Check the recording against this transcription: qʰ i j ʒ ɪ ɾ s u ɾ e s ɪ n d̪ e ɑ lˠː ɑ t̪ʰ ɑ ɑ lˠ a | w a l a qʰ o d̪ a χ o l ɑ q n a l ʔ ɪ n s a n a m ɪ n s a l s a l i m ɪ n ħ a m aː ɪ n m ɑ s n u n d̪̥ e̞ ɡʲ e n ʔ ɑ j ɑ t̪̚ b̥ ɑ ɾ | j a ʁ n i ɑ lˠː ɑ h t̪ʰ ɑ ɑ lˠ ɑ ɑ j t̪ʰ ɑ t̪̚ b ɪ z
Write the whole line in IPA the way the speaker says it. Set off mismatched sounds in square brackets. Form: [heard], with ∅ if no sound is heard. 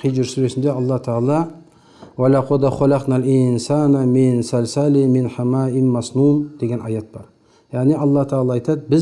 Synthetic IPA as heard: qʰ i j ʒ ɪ ɾ s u ɾ e s ɪ n d̪ e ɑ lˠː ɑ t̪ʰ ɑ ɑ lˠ [ɑ] | w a l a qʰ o d̪ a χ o l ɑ q n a l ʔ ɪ n s a n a m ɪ n s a l s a l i m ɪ n ħ a m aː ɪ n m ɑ s n u n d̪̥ e̞ ɡʲ e n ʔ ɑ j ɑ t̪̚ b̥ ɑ ɾ | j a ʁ n i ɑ lˠː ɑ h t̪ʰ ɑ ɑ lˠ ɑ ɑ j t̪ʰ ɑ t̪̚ b ɪ z